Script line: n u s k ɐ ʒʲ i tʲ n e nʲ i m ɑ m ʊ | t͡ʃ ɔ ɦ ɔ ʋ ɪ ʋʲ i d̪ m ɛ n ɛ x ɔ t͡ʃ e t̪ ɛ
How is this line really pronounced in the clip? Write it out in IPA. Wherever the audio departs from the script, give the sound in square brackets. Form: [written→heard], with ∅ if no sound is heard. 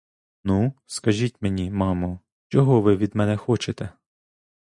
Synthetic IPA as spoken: n u s k ɐ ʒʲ i tʲ [n→m] e nʲ i m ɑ m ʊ | t͡ʃ ɔ ɦ ɔ ʋ ɪ ʋʲ i d̪ m ɛ n ɛ x ɔ t͡ʃ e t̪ ɛ